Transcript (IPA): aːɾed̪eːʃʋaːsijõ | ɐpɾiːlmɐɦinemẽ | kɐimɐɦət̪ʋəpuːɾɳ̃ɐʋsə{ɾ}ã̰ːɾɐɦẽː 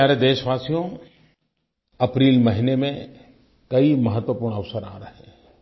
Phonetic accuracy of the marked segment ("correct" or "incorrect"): correct